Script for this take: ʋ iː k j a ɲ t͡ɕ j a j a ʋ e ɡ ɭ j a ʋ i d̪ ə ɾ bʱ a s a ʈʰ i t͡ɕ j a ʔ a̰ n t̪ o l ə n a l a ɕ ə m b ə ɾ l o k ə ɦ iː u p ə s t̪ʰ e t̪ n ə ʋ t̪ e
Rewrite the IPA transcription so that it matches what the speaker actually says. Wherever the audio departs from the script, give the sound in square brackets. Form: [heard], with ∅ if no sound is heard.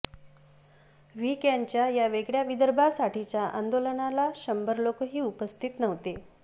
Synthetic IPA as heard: ʋ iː k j a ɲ t͡ɕ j a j a ʋ e ɡ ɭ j a ʋ i d̪ ə ɾ bʱ a s a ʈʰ i t͡ɕ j a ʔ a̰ n [d̪] o l ə n a l a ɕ ə m b ə ɾ l o k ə ɦ iː u p ə s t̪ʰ [i] t̪ n ə ʋ t̪ e